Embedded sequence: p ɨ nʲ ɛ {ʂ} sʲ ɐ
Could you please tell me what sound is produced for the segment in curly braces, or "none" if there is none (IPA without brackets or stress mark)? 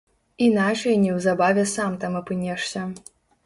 ʂ